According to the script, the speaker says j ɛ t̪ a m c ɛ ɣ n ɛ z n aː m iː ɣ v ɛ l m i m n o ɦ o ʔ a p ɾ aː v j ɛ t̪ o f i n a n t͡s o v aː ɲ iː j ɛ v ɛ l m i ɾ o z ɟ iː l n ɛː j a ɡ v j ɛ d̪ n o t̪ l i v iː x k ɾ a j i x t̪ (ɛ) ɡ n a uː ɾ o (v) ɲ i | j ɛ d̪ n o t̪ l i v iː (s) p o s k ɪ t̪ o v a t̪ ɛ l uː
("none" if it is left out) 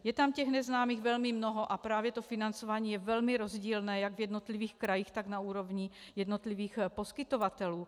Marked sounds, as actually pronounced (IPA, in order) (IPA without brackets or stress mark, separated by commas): a, v, x